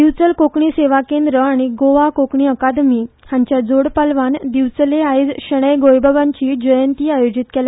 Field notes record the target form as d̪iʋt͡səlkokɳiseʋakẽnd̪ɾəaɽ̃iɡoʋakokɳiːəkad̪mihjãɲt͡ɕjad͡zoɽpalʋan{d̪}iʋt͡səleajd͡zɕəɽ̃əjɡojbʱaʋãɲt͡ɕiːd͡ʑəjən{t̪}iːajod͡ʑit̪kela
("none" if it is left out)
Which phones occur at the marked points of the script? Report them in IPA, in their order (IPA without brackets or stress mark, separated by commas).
d̪, t̪